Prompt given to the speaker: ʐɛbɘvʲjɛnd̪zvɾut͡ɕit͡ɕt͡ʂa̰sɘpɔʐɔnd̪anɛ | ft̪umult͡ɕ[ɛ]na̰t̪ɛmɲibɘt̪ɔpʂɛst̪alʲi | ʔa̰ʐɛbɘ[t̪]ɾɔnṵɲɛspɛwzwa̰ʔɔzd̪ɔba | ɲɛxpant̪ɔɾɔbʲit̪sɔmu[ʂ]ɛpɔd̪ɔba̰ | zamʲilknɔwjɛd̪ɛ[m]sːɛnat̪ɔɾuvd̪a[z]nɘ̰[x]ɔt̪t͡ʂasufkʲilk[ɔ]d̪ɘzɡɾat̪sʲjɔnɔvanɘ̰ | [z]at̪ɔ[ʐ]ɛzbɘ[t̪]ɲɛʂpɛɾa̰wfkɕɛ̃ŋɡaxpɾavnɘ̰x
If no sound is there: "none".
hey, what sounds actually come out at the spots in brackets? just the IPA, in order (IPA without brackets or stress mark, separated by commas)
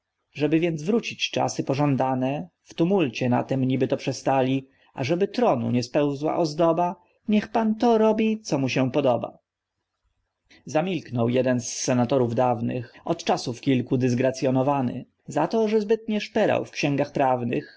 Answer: ɛ, t̪, ɕ, n, v, x, u, z, ʐ, t̪